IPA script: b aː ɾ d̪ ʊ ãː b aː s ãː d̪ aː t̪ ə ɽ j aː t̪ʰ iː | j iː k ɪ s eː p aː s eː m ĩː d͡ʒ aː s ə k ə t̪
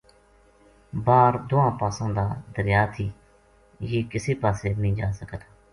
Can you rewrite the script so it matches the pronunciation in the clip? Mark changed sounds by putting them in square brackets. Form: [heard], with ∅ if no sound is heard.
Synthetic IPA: b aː ɾ d̪ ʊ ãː [p] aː s ãː d̪ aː [d̪] ə [ɾ] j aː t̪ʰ iː | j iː k ɪ s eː p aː s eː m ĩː d͡ʒ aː s ə k ə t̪